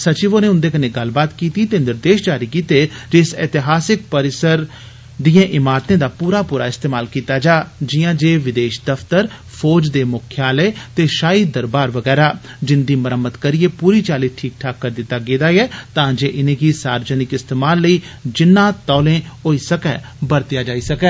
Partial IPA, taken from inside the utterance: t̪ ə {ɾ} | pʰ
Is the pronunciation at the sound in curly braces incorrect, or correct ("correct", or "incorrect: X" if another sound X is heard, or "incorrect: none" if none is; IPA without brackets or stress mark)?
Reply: correct